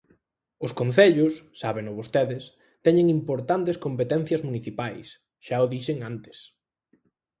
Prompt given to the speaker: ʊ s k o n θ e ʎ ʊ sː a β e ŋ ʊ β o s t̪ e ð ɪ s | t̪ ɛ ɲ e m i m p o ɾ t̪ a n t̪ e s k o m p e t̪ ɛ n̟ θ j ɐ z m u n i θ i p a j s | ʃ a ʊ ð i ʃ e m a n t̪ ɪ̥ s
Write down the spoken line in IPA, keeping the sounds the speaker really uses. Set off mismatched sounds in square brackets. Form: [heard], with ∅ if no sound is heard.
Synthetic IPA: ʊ s k o n θ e ʎ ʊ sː a β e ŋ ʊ β o s t̪ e ð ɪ s | t̪ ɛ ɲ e [ŋ] i m p o ɾ t̪ a n t̪ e s k o m p e t̪ ɛ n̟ θ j ɐ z m u n i θ i p a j s | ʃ a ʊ ð i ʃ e [ŋ] a n t̪ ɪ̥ s